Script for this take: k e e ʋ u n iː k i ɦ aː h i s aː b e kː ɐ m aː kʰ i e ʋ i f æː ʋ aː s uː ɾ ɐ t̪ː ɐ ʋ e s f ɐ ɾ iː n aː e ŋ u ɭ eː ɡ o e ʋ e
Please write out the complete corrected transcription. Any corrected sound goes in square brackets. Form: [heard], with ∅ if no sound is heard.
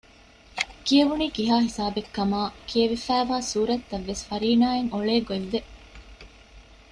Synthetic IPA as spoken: k [i] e ʋ u n iː k i ɦ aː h i s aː b e kː ɐ m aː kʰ i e ʋ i f æː ʋ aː s uː ɾ ɐ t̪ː ɐ [ʋː] e s f ɐ ɾ iː n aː e ŋ [o] ɭ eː ɡ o e [ʋː] e